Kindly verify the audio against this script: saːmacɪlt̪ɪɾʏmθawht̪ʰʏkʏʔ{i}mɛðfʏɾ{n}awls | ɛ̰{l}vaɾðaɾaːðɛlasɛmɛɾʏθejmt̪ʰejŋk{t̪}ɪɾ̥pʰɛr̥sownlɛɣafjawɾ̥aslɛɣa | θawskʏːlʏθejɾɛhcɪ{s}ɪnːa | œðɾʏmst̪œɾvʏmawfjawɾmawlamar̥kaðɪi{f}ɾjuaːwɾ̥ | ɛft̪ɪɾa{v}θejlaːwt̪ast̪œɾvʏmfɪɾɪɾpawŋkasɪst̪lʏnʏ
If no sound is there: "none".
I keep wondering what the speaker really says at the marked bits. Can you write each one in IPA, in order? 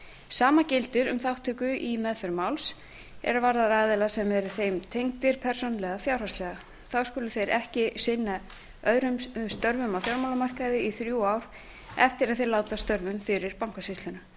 i, m, ɾ, t̪, s, θ, ð

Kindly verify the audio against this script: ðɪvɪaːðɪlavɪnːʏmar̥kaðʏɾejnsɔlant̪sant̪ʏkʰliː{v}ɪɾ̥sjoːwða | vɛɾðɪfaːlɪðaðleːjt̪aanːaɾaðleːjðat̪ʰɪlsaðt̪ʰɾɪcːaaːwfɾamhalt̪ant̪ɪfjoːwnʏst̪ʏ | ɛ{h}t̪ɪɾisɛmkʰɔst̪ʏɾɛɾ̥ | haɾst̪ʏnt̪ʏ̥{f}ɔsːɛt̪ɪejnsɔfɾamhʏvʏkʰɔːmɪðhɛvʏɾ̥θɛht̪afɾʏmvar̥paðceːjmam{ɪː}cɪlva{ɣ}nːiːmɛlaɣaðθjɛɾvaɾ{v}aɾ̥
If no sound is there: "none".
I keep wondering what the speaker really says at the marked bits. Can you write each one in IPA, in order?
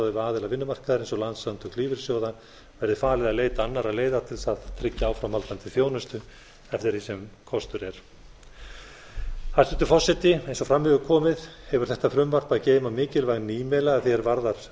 v, f, f, ɪː, ɣ, ð

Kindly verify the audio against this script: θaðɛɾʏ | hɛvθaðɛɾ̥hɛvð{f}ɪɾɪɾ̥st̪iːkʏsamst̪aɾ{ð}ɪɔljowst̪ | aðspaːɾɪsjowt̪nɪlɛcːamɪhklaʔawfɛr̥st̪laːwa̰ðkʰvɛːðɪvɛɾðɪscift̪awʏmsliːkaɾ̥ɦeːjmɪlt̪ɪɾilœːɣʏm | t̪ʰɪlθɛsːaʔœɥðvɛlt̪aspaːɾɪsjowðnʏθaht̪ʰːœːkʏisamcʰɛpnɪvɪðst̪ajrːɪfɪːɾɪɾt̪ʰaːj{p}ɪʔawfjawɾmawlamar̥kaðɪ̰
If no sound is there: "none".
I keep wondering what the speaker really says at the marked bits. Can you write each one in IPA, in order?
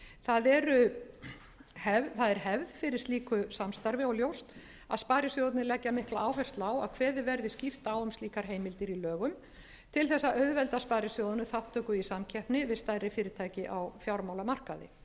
f, v, c

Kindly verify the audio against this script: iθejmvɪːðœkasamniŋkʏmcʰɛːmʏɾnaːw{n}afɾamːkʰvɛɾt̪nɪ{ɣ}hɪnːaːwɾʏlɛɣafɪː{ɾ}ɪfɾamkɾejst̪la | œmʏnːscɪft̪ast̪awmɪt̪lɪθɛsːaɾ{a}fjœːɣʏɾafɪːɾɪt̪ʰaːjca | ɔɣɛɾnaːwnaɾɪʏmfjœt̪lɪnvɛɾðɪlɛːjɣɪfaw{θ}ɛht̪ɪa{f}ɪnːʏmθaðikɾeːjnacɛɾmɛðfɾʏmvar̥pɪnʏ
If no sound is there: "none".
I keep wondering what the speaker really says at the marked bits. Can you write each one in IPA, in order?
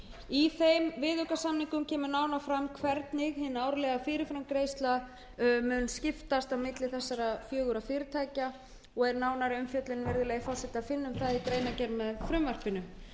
n, ɣ, ɾ, a, s, f

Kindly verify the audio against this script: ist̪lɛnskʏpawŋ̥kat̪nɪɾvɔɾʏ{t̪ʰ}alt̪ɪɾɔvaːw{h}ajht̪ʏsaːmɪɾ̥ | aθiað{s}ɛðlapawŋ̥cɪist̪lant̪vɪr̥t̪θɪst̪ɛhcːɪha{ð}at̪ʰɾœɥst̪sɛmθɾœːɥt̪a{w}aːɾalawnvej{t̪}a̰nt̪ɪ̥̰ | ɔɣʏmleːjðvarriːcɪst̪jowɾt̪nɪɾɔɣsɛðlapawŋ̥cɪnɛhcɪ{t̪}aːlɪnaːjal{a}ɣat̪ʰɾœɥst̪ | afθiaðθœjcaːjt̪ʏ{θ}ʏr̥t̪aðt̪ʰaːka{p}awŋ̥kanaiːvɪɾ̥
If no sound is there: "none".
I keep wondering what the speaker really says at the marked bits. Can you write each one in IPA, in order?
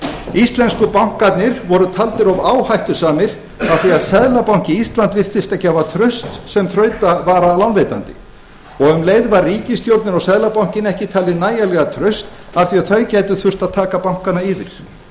t̪ʰ, h, s, v, v, t̪, t̪ʰ, ɛ, θ, p

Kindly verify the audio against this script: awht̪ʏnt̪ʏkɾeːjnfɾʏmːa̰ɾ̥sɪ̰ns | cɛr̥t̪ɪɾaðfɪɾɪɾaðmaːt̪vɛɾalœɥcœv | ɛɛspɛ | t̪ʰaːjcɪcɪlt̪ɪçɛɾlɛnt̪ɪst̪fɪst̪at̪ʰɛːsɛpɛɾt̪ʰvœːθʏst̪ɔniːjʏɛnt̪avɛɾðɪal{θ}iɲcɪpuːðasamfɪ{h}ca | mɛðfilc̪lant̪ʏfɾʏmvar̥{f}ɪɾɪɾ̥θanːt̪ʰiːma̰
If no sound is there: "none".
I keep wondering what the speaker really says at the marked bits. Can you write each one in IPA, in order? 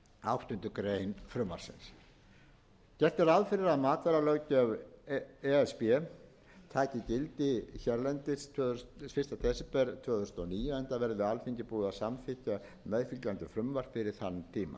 f, h, f

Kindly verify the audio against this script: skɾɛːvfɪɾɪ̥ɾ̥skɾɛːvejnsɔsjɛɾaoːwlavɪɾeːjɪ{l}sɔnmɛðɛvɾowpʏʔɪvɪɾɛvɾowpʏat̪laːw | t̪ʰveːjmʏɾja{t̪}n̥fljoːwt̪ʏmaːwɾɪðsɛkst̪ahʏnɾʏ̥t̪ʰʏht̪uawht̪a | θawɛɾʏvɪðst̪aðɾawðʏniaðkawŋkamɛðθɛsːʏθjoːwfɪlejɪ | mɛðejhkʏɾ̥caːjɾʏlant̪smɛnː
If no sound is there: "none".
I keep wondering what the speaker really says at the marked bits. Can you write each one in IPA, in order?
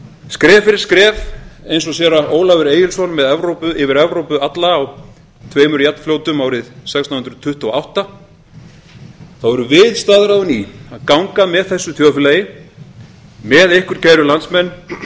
l, t̪

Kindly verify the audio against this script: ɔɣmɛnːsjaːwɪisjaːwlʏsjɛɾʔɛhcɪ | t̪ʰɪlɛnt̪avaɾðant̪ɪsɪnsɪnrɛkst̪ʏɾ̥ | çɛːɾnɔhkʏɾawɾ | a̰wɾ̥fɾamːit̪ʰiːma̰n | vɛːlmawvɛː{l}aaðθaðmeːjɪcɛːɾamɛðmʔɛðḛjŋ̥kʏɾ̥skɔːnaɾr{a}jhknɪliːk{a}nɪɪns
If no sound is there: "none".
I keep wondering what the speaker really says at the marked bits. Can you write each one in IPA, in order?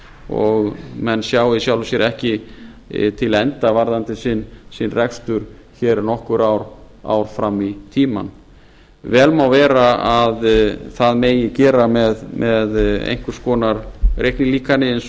ɾ, e, a

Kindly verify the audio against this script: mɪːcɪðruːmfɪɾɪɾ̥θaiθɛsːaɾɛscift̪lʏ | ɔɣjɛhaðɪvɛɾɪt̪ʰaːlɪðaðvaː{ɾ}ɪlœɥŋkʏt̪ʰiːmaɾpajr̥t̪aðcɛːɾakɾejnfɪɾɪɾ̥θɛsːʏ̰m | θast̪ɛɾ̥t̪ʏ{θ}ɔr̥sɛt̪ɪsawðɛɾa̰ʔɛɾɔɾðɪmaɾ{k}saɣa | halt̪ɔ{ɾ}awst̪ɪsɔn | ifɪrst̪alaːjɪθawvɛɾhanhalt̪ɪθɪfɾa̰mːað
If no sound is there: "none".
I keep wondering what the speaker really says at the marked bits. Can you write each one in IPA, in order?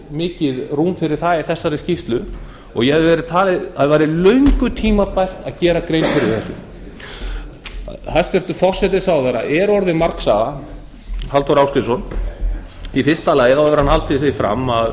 ɾ, f, k, ɾ

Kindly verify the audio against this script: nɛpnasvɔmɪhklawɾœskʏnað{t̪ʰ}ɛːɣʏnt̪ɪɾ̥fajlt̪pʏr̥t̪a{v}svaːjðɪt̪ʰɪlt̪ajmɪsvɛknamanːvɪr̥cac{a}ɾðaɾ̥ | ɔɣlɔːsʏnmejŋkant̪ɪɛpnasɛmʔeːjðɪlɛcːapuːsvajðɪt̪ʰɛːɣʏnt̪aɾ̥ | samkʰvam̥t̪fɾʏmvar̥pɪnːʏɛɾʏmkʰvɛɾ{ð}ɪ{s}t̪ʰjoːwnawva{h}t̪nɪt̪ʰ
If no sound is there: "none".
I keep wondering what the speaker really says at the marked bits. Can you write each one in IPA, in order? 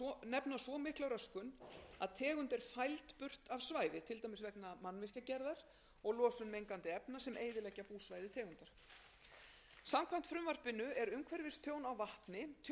t̪ʰ, v, ɛ, v, s, h

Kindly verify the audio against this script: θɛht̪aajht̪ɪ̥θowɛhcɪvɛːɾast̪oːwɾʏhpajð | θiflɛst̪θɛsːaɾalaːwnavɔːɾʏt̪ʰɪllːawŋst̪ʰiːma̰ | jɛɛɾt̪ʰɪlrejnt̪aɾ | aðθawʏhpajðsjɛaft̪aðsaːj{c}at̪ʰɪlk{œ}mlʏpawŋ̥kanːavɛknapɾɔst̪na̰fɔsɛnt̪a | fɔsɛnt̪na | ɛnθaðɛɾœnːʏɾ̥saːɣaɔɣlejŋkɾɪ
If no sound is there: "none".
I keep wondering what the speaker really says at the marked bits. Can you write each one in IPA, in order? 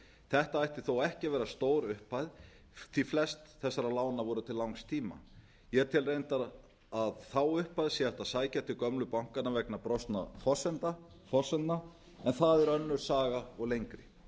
c, œ

